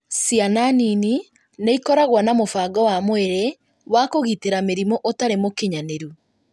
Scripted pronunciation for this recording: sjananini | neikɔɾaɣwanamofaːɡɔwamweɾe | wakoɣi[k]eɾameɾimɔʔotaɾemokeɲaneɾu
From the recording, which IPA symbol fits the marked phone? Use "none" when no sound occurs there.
t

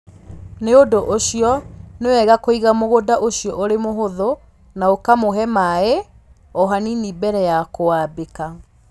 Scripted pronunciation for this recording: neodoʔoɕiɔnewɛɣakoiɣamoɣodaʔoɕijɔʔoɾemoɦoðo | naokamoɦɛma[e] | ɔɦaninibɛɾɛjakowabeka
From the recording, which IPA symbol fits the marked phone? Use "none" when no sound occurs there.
e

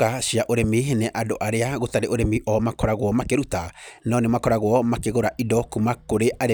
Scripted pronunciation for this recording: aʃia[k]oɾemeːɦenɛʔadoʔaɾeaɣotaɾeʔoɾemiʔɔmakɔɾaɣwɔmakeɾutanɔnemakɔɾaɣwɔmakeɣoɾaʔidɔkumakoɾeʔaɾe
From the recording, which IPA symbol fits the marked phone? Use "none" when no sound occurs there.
ʔ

